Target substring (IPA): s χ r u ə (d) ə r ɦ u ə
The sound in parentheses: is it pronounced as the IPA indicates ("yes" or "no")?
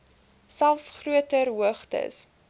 no